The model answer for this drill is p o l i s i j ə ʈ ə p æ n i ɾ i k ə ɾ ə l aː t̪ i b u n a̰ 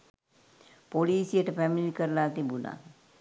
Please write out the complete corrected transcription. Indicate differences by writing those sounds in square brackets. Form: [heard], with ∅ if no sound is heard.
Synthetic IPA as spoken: p o l [iː] s i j ə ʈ ə p æ [m] i [l] i k ə ɾ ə l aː t̪ i b u n a̰